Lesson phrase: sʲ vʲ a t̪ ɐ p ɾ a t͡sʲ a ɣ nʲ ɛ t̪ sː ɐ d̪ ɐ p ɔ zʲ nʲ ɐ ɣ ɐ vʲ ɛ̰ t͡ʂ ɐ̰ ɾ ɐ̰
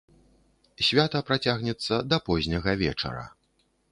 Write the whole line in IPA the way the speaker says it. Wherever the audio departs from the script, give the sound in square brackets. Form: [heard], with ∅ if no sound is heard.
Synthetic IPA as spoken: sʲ vʲ a t̪ ɐ p ɾ a t͡sʲ a ɣ nʲ ɛ t̪ sː ɐ d̪ ɐ p ɔ zʲ nʲ ɐ ɣ ɐ vʲ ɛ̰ t͡ʂ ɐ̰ ɾ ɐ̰